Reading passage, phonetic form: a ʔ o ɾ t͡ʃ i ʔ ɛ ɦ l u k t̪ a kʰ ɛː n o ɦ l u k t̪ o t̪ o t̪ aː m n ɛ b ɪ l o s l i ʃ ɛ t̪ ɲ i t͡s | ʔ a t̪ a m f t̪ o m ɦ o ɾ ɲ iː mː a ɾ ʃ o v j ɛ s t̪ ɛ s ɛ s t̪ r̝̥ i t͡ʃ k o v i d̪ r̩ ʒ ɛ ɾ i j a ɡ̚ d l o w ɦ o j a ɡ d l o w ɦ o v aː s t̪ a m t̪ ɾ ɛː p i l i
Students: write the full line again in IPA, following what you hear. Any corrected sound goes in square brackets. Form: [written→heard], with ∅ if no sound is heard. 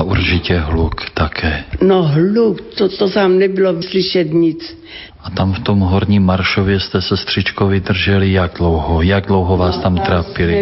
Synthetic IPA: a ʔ [o→u] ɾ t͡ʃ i [ʔ→c] ɛ ɦ l u k t̪ a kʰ ɛː n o ɦ l u k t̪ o t̪ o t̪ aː m n ɛ b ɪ l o s l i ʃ ɛ t̪ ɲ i t͡s | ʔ a t̪ a m f t̪ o m ɦ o ɾ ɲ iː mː a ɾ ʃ o v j ɛ s t̪ ɛ s ɛ s t̪ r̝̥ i t͡ʃ k o v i d̪ r̩ ʒ ɛ [ɾ→l] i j a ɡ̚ d l o w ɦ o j a ɡ d l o w ɦ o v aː s t̪ a m t̪ ɾ [ɛː→aː] p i l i